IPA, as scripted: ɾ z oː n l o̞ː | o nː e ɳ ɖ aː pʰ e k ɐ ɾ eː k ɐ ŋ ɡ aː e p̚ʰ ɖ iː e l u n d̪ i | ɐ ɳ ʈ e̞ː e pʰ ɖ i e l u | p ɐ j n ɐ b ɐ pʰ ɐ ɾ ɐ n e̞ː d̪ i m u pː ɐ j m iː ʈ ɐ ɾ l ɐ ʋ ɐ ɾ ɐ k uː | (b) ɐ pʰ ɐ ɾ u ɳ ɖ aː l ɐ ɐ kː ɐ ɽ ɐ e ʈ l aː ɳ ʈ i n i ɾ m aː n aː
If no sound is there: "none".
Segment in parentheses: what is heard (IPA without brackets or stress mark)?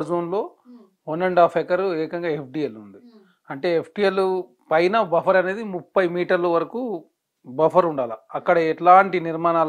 b